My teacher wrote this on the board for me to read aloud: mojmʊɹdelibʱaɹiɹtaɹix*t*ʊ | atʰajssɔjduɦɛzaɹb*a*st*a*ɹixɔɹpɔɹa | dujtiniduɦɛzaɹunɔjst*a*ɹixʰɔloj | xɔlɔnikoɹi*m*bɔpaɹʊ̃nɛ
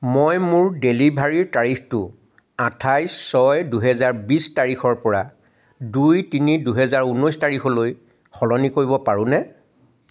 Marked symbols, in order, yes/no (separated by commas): yes, no, yes, yes, no